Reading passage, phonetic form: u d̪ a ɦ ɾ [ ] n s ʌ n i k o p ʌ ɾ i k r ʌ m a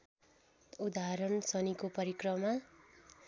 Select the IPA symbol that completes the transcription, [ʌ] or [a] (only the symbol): ʌ